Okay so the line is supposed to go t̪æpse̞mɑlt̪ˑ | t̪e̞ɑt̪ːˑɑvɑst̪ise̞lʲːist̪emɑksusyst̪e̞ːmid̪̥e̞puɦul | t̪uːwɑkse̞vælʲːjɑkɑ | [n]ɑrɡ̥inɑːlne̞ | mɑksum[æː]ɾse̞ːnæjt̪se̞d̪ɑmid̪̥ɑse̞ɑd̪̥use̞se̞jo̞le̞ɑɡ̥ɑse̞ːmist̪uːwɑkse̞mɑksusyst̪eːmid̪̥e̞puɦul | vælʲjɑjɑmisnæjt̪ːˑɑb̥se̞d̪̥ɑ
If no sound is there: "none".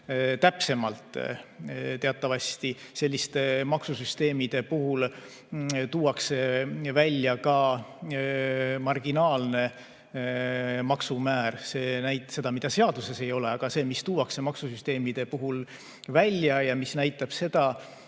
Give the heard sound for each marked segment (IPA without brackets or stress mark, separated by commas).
m, æː